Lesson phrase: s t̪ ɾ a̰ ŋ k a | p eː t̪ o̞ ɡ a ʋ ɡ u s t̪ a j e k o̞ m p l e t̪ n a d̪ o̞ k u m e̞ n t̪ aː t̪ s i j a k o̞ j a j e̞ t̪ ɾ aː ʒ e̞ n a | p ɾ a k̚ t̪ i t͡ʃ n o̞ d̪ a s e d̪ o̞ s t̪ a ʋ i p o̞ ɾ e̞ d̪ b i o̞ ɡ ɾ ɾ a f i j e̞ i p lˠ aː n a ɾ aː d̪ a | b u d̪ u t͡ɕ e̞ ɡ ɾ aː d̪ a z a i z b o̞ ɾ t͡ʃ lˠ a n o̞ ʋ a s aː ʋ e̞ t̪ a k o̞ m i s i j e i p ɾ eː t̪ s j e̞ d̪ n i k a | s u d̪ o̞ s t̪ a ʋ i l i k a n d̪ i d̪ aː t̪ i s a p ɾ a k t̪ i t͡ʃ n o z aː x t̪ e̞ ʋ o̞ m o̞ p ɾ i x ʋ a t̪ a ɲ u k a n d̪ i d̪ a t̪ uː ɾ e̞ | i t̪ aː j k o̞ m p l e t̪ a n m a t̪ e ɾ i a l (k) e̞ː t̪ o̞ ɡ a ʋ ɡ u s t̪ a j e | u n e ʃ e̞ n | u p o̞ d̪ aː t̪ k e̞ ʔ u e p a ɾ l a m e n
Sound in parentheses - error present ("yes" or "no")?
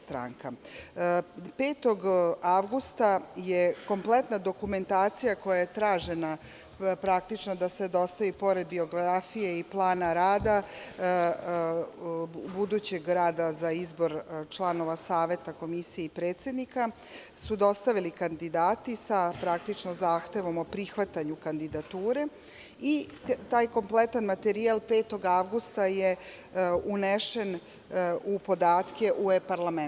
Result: yes